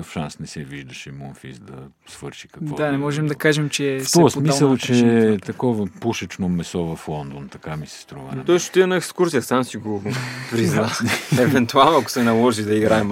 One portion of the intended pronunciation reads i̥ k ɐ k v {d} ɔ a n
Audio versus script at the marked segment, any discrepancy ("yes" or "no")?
no